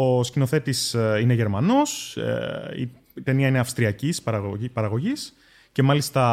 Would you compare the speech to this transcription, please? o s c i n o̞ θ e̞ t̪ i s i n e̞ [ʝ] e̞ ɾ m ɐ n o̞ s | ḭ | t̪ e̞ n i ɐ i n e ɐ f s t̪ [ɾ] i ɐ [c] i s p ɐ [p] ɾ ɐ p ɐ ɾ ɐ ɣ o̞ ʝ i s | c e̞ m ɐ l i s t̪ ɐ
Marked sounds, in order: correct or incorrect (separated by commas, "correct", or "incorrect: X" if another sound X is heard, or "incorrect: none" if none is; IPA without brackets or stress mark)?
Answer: correct, correct, correct, incorrect: none